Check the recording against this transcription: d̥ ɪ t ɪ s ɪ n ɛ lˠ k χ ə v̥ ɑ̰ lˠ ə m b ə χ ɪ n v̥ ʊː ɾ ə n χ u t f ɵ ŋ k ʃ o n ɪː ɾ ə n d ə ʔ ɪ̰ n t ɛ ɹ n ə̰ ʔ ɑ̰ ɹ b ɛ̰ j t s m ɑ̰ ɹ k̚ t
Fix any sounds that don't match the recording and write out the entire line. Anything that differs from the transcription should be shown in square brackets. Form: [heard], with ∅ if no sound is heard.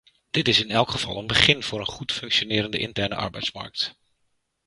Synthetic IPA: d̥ ɪ t ɪ s ɪ n ɛ lˠ k χ ə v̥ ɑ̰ lˠ ə [n] b ə χ ɪ n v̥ ʊː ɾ ə n χ u t f ɵ ŋ k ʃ o n ɪː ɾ ə n d ə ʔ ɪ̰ n t ɛ ɹ n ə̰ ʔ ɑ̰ ɹ b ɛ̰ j t s m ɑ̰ ɹ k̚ t